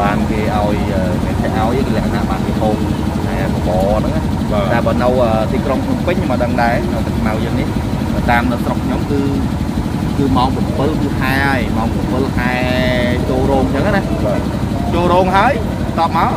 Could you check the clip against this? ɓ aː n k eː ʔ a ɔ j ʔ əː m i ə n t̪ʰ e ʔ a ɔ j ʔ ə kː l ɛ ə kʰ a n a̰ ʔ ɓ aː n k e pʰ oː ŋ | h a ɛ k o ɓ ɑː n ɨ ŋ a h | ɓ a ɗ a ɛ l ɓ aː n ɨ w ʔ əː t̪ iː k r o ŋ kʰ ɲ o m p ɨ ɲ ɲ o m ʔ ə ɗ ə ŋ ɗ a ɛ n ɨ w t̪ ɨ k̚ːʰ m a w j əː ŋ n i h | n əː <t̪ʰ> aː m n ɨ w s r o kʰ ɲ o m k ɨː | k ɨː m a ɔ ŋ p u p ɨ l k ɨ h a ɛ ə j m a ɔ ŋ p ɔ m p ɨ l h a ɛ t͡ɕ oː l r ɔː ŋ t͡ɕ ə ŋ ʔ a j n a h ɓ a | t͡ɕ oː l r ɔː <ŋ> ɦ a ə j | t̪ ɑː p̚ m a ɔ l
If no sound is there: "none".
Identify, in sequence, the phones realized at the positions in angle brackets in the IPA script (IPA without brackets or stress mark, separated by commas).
t̪, ŋ